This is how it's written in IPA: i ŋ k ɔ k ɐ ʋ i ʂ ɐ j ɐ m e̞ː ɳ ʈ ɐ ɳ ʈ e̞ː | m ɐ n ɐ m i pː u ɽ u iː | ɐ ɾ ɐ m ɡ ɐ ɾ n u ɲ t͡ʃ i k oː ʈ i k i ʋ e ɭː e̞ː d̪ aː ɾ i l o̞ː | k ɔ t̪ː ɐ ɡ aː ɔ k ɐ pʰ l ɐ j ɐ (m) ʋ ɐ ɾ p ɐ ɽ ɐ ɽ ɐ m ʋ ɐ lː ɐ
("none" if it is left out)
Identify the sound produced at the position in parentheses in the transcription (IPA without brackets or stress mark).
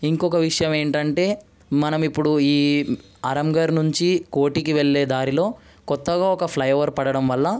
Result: none